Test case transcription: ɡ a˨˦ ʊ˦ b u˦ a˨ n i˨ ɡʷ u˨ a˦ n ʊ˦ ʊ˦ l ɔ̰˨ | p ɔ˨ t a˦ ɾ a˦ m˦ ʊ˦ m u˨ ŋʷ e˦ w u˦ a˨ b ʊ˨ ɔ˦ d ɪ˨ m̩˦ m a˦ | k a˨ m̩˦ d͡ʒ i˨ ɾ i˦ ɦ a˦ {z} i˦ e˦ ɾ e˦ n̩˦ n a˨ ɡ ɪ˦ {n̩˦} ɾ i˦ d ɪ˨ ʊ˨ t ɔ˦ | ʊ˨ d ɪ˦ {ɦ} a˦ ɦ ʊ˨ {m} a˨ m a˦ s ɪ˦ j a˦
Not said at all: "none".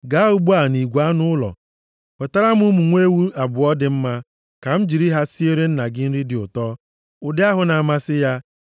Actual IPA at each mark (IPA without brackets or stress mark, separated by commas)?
s, n̩˦, none, n